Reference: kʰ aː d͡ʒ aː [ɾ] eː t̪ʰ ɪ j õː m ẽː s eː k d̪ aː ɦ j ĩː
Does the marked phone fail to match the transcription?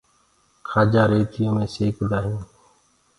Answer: no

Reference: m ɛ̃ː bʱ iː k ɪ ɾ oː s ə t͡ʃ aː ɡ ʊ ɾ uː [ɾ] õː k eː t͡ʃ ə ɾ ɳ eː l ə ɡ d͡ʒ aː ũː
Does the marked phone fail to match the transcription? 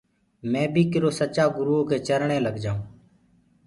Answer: yes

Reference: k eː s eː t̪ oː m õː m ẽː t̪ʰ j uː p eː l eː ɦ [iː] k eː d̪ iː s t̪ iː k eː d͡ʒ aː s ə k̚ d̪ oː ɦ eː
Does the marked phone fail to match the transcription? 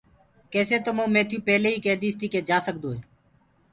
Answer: no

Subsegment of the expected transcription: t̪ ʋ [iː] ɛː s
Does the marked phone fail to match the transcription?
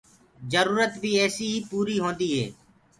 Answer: no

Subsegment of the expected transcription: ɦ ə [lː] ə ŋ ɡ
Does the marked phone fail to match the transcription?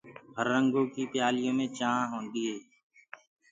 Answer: yes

